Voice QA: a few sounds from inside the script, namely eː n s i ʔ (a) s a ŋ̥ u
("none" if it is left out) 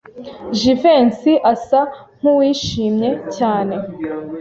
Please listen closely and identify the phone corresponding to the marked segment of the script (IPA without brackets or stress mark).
a